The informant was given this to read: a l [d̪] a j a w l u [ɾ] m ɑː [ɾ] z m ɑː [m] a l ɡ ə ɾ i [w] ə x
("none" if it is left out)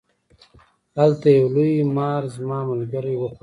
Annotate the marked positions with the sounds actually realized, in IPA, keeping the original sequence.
t̪, none, ɾ, m, w

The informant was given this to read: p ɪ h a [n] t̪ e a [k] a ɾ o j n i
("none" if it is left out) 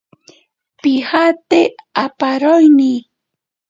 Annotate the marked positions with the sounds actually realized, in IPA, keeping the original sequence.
none, p

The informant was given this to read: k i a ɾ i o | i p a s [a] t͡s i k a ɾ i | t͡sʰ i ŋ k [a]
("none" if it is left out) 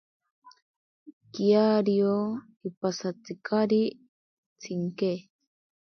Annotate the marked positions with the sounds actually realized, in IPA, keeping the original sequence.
a, e

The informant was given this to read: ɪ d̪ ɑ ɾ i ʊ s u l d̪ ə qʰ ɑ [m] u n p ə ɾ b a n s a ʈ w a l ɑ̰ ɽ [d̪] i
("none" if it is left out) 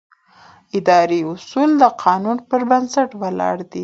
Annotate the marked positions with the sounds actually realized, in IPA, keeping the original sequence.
n, d̪

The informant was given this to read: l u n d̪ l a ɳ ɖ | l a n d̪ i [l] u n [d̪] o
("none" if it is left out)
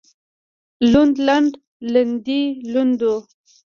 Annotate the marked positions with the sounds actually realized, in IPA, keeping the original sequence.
l, d̪

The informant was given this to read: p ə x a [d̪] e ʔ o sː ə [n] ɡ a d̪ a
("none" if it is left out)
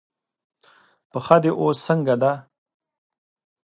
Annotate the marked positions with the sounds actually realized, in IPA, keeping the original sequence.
d̪, ŋ

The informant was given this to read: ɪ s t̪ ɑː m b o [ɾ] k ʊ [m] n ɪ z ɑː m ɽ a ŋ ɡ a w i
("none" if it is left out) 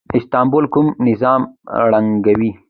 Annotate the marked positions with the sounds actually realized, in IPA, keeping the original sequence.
l, m

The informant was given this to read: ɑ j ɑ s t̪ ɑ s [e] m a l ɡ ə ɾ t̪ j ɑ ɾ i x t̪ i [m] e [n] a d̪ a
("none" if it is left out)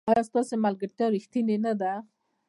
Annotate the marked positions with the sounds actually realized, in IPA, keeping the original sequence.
e, n, n

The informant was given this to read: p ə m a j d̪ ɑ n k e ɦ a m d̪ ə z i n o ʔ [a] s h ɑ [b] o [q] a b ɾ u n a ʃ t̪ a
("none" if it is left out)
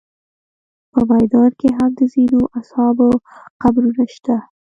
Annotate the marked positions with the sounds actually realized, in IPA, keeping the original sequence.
a, b, q

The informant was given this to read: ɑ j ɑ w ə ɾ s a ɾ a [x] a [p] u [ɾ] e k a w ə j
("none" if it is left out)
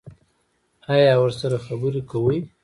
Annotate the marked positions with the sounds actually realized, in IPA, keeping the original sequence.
x, b, ɾ

